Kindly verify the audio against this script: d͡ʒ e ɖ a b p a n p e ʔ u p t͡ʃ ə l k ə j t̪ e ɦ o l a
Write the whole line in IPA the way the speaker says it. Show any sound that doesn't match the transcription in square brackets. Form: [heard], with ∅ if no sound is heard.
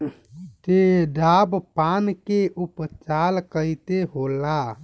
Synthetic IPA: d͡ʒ e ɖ a b p a n [k] e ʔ u p t͡ʃ [a] l k ə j t̪ e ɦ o l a